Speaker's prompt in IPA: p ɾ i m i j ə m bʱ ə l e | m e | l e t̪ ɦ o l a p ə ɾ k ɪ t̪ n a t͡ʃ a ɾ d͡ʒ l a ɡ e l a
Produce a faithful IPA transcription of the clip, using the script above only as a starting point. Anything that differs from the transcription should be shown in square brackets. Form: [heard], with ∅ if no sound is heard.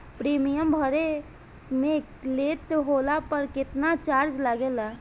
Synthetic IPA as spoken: p ɾ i m i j ə m bʱ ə [ɾ] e | m e | l e t̪ ɦ o l a p ə ɾ k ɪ t̪ n a t͡ʃ a ɾ d͡ʒ l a ɡ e l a